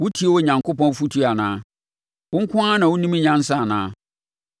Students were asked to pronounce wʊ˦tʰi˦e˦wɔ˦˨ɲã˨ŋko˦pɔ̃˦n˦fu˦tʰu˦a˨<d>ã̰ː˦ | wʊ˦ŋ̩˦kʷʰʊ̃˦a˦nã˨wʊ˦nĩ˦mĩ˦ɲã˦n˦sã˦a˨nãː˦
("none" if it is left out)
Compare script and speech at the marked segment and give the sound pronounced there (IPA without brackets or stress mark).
n